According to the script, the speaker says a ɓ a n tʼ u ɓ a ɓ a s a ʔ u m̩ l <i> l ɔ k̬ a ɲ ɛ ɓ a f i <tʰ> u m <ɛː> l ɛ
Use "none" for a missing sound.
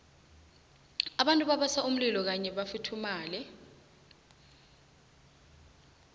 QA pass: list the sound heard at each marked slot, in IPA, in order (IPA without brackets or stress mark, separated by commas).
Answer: i, tʰ, aː